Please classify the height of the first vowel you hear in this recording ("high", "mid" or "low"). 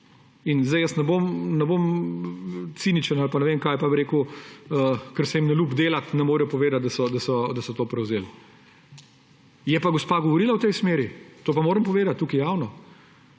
high